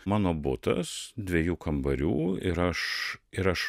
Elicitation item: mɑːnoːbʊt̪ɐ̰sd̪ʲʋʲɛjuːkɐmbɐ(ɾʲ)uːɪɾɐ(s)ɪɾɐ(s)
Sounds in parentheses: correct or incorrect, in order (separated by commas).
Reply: correct, incorrect, incorrect